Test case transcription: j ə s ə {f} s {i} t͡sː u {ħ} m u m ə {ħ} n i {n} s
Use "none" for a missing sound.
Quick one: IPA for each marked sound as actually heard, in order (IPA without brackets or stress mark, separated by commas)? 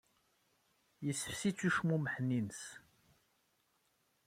f, i, ʃ, ħ, n